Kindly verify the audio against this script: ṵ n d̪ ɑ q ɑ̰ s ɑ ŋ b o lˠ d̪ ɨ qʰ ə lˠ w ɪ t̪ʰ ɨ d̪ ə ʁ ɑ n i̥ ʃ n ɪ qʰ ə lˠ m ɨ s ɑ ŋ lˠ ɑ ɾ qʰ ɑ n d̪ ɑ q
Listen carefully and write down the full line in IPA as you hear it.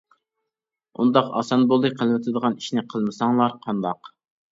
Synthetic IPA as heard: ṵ n d̪ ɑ q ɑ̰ s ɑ n b o lˠ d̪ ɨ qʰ ə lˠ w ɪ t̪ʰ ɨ d̪ ə ʁ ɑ n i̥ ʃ n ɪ qʰ ə lˠ m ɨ s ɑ ŋ lˠ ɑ ɾ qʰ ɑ n d̪ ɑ q